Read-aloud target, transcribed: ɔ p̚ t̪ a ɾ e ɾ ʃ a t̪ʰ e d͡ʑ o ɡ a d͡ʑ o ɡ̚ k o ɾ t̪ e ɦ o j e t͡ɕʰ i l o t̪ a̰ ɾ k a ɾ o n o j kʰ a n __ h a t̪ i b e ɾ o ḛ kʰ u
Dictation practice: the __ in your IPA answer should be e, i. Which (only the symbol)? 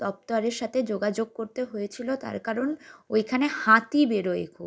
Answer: e